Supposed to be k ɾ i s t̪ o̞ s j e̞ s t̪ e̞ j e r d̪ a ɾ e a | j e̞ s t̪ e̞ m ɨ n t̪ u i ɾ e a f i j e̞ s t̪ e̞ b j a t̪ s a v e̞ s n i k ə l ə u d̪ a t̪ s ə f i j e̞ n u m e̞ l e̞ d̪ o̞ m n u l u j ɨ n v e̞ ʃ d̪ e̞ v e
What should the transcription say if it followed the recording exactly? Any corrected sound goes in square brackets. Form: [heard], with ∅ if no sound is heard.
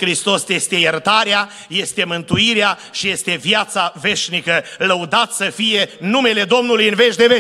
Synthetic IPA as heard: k ɾ i s t̪ o̞ s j e̞ s t̪ e̞ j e r [t̪] a ɾ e a | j e̞ s t̪ e̞ m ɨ n t̪ u i ɾ e a [ʃ] i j e̞ s t̪ e̞ [v] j a t̪ s a v e̞ [ʃ] n i k ə l ə u d̪ a t̪ s ə f i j e̞ n u m e̞ l e̞ d̪ o̞ m n u l u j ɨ n v e̞ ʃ d̪ e̞ v e